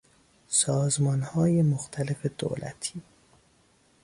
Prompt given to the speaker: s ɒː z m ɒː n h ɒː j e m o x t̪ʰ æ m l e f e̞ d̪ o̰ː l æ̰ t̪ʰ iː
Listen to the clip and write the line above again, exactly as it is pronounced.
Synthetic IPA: s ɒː z m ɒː n h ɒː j e m o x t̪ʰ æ l e f e̞ d̪ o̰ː l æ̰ t̪ʰ iː